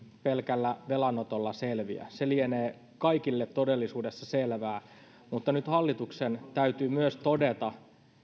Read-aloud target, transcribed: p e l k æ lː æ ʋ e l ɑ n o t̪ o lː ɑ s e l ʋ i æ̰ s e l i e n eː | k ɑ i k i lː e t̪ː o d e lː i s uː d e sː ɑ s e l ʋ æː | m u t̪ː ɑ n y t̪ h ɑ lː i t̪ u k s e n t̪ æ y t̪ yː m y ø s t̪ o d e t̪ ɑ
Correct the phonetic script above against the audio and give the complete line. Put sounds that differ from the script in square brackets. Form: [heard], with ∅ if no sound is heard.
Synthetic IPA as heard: p e l k æ lː æ ʋ e l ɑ n o t̪ o lː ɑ s e l ʋ i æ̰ s e l i e n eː | k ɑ i k i lː e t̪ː o d e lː i s uː d e sː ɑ s e l ʋ æː | m u t̪ː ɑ n y t̪ h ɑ lː i t̪ u k s e n t̪ æ y t̪ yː m y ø s t̪ o d e t̪ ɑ